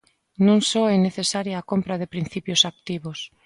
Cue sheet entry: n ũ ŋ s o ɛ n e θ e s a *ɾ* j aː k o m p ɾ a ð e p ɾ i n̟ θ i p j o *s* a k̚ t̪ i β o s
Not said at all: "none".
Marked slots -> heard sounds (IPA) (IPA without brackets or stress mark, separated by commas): ɾ, s